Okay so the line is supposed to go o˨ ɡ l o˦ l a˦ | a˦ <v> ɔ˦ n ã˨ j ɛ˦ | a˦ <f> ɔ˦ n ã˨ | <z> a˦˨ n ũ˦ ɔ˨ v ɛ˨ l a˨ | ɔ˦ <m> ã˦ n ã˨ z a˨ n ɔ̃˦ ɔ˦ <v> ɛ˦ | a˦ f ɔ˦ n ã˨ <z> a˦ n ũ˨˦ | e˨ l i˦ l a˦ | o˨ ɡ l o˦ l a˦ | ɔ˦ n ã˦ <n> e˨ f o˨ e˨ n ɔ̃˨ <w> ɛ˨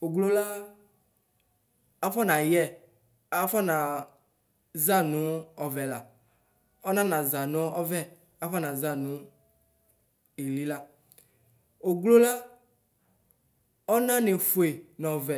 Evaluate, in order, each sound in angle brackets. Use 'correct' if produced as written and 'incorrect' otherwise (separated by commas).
incorrect, correct, correct, incorrect, correct, correct, correct, incorrect